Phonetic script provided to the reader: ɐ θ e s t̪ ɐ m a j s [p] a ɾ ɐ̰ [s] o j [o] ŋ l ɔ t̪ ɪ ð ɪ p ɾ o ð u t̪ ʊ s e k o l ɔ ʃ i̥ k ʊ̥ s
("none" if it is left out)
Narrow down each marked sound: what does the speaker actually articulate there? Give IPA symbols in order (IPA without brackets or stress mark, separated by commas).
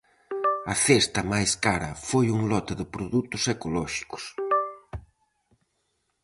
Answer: k, f, u